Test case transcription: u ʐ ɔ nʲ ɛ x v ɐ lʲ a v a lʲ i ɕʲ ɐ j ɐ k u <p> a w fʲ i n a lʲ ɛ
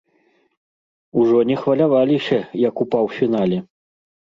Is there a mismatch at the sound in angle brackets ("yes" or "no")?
no